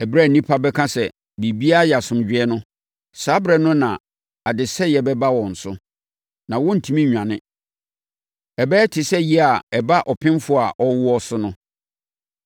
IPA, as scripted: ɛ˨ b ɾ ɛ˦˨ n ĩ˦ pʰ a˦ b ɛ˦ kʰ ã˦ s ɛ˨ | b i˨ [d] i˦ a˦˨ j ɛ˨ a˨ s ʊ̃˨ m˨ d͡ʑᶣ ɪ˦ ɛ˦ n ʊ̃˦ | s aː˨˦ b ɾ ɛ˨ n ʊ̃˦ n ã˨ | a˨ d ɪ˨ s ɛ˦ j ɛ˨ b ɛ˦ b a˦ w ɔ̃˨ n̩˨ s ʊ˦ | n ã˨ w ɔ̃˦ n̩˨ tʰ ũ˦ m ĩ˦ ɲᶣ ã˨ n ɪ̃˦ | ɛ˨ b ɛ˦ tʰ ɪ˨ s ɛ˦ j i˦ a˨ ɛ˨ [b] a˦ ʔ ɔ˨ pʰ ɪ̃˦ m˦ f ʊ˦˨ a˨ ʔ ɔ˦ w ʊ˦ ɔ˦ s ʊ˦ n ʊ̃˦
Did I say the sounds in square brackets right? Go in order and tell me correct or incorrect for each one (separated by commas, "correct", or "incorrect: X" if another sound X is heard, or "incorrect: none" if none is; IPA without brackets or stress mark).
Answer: incorrect: b, correct